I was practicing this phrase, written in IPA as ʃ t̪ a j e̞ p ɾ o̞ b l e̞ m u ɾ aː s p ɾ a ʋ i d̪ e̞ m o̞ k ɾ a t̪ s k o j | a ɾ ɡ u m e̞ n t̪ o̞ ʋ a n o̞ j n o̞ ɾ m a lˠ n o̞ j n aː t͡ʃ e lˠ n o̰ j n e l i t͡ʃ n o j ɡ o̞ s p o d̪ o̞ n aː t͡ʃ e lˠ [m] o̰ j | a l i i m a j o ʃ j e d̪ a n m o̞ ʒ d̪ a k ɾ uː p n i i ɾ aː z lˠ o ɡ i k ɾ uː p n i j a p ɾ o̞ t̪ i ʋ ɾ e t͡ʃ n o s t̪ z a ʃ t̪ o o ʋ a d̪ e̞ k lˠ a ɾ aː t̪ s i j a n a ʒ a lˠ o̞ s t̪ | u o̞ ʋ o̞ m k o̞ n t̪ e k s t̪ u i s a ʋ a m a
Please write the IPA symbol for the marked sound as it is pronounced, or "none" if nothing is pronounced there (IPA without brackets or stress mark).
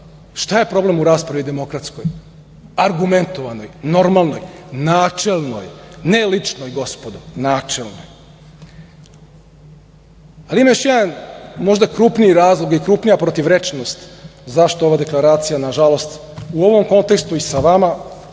n